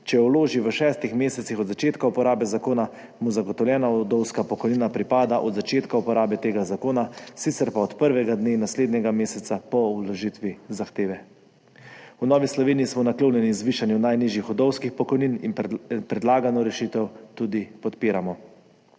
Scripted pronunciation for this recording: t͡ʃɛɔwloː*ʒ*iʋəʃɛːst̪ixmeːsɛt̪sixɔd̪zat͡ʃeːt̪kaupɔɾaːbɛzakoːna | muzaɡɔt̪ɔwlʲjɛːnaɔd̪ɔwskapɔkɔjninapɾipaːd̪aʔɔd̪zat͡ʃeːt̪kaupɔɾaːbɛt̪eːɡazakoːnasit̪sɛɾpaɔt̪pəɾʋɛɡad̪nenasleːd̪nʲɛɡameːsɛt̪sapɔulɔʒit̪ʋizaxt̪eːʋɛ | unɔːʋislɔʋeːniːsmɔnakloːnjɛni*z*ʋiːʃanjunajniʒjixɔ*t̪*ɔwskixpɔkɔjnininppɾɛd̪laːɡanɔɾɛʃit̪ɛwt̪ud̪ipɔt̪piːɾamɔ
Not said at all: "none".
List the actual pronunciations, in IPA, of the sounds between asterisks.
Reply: ʒ, z, d̪

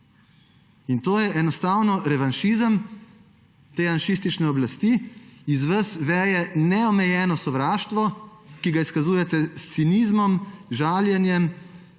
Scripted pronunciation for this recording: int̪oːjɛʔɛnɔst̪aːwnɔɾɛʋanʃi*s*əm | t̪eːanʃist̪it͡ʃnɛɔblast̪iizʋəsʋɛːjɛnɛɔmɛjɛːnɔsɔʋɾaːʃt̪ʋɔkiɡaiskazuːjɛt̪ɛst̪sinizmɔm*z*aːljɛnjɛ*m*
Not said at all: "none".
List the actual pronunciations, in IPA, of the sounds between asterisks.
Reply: z, ʒ, m

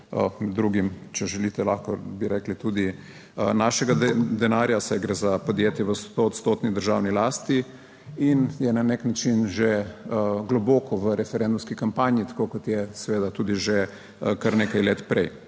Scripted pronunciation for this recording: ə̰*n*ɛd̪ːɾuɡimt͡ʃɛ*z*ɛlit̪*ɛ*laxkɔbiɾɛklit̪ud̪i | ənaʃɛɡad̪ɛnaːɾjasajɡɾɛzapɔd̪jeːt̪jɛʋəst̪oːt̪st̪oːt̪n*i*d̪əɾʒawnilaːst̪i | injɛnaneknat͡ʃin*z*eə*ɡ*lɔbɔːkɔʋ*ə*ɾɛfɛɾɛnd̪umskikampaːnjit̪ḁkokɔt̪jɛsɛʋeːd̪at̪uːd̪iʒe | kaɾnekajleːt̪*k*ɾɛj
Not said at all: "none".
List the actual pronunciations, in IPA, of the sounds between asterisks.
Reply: m, ʒ, ɛ, i, ʒ, ɡ, ə, p

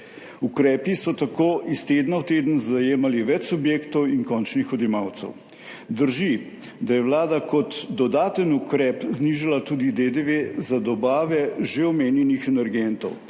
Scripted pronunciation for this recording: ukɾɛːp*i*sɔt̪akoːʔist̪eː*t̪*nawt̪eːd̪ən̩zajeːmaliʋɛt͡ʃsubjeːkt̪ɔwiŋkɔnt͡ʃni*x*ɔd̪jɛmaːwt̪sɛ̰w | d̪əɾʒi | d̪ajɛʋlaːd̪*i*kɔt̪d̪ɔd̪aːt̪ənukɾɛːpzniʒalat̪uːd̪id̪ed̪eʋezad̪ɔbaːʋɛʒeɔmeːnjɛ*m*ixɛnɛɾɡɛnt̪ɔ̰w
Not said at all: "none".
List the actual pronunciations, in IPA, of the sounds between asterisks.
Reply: i, d̪, x, a, n

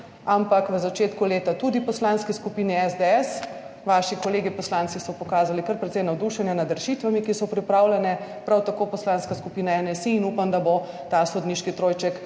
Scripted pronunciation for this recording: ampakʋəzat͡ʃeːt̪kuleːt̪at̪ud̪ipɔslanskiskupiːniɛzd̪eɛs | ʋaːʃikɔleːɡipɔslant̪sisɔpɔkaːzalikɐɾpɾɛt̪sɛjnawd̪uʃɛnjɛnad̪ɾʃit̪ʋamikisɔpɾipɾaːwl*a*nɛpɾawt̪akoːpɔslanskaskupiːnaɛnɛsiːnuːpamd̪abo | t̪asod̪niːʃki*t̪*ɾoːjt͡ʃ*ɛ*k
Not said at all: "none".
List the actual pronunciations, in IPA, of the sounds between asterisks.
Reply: ɛ, t̪, ɛ

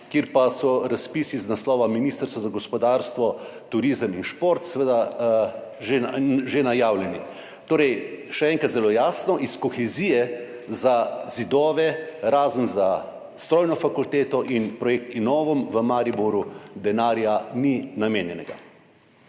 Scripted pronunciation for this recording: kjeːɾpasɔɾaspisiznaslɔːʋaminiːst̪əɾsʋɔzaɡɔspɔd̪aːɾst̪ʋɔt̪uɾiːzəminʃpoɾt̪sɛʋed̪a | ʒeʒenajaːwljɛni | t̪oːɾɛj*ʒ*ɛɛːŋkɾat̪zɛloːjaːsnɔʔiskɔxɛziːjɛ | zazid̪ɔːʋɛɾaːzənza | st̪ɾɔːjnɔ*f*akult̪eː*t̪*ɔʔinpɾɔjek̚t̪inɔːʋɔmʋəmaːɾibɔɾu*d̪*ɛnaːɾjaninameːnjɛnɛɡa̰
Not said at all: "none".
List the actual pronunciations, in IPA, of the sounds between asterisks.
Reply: ʃ, f, t̪, d̪

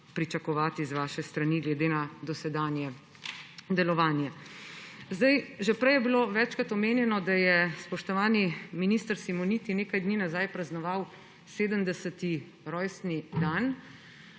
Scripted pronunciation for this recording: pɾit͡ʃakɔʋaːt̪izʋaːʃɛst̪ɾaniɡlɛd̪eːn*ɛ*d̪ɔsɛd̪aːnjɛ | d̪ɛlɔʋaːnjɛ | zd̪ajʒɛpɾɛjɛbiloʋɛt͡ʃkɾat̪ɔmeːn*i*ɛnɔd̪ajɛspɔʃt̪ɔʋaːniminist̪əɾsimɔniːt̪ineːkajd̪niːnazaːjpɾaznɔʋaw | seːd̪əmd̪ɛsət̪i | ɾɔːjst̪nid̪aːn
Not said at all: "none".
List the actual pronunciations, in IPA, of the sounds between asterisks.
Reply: a, j

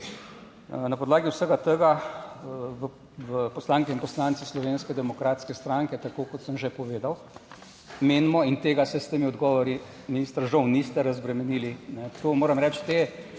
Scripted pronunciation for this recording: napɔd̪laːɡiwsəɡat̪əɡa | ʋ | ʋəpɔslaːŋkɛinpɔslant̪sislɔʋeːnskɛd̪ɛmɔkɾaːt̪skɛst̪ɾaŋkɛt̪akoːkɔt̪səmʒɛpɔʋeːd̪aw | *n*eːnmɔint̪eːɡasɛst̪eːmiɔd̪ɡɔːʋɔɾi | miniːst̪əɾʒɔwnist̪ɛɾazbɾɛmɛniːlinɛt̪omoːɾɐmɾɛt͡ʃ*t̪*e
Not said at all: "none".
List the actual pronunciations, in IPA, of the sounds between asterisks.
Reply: m, t̪

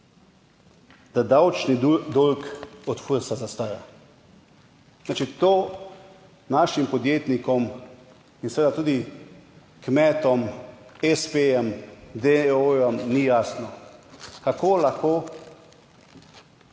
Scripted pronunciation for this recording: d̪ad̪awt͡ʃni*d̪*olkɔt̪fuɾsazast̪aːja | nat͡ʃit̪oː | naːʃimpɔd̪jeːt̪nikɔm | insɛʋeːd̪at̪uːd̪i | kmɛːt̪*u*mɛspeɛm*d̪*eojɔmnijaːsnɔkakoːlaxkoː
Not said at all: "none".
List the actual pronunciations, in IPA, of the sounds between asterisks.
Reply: d̪, ɔ, d̪

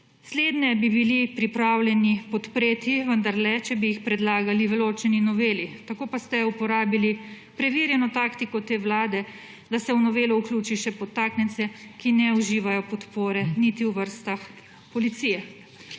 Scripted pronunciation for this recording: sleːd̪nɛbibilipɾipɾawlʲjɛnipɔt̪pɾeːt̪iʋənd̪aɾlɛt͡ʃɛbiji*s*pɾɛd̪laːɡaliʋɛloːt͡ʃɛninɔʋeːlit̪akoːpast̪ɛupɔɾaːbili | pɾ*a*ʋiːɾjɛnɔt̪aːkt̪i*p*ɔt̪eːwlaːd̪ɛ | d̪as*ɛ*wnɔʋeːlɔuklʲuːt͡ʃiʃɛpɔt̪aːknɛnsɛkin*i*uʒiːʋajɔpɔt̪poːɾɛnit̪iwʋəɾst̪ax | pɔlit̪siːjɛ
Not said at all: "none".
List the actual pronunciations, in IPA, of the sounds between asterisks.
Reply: x, ɛ, k, ɛ, ɛ

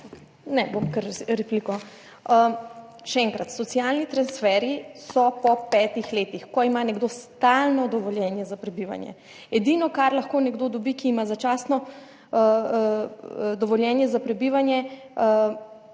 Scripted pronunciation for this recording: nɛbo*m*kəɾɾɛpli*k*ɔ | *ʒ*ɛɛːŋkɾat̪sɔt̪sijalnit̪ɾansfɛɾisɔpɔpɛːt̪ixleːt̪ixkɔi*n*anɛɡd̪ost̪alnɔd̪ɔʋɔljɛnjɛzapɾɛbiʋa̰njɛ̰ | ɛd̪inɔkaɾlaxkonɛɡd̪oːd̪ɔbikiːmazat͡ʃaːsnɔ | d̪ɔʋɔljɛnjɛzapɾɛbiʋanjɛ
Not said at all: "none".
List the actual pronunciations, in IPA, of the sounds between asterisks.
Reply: m, k, ʃ, m

